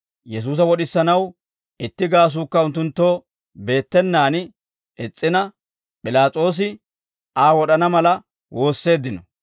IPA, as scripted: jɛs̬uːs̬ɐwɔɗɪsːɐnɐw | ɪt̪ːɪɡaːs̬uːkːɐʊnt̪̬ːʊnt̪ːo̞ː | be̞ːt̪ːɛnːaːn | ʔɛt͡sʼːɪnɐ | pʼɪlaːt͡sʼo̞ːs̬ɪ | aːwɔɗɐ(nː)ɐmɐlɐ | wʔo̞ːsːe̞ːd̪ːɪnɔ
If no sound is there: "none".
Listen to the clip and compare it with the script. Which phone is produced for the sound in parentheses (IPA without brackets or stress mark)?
n